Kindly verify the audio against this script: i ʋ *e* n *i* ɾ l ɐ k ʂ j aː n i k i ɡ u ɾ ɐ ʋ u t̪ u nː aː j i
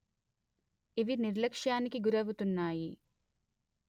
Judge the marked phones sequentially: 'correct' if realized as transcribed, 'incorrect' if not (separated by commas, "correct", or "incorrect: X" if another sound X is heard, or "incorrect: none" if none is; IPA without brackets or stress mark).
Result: incorrect: i, correct